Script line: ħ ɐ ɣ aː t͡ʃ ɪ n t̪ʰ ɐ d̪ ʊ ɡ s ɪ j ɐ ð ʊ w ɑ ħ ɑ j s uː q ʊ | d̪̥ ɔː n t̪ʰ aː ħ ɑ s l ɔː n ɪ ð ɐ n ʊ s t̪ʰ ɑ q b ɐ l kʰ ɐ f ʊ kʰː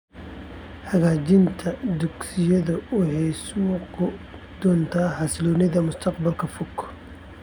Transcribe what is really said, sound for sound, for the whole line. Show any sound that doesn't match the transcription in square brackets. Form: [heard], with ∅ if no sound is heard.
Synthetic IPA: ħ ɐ ɣ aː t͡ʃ ɪ n t̪ʰ ɐ d̪ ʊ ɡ s ɪ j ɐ ð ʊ w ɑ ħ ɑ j s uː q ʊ | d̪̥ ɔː n t̪ʰ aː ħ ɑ s l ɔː n ɪ ð ɐ [m] ʊ s t̪ʰ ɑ q b ɐ l kʰ ɐ f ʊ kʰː